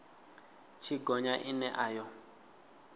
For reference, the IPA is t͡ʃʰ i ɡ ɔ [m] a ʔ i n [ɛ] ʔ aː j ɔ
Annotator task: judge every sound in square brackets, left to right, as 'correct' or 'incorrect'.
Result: incorrect: ɲ, correct

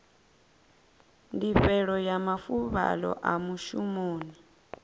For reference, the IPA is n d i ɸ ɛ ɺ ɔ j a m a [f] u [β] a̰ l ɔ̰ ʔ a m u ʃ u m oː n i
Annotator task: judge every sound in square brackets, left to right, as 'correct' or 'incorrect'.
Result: correct, correct

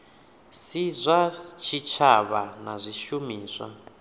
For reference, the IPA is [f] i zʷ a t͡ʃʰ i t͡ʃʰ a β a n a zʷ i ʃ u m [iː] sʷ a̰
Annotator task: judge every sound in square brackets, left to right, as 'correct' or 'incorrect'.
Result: incorrect: s, correct

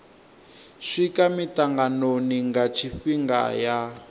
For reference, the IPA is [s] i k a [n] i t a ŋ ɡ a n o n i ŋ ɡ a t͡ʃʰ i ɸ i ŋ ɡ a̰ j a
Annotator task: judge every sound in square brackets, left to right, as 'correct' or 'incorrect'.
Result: incorrect: ʂ, incorrect: m

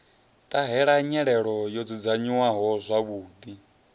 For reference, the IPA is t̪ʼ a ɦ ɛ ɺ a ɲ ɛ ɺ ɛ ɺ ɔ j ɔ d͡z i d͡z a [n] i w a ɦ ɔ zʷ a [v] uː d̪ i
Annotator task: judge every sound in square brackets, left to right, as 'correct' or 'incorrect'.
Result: incorrect: ɲ, incorrect: β

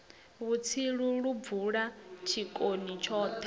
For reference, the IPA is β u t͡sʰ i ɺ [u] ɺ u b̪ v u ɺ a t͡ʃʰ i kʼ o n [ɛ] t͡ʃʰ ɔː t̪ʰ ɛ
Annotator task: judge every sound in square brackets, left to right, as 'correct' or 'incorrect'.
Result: correct, incorrect: i

